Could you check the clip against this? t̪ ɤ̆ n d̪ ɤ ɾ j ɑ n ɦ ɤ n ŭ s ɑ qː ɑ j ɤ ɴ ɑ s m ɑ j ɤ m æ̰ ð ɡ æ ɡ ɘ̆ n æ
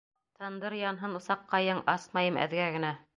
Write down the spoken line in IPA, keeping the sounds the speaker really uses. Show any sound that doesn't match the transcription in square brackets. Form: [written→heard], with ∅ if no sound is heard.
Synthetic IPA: t̪ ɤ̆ n d̪ ɤ ɾ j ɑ n ɦ ɤ n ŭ s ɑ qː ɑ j ɤ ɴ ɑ s m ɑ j ɤ m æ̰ ð ɡ æ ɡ ɘ̆ n æ